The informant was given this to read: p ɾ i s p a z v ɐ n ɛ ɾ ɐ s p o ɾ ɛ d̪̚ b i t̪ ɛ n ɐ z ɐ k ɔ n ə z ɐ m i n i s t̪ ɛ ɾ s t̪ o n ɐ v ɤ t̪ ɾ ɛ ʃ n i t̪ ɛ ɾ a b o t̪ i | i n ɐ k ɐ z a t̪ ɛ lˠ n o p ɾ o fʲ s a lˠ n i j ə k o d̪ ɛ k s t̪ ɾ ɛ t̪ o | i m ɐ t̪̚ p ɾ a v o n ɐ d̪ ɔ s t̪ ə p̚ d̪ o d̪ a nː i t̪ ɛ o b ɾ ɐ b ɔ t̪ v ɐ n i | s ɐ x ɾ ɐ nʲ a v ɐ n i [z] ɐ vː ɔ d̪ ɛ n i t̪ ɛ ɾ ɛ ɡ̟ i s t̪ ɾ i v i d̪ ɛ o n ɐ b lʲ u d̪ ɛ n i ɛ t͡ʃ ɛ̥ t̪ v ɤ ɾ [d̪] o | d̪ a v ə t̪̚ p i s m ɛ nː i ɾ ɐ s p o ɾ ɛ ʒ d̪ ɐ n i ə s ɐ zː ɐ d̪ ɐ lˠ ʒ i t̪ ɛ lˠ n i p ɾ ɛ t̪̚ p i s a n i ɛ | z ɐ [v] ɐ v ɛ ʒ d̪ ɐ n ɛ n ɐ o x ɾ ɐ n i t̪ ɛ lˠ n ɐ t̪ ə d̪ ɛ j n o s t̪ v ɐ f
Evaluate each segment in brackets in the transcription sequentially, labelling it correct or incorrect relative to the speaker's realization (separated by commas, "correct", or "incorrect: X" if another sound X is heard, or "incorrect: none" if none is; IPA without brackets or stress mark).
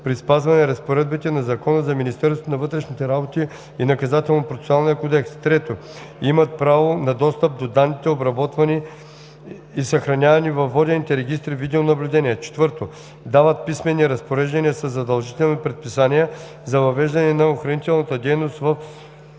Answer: incorrect: v, incorrect: t̪, correct